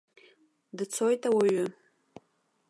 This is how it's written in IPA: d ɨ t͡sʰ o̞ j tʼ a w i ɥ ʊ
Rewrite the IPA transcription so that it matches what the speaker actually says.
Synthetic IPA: d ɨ t͡sʰ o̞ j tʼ a w a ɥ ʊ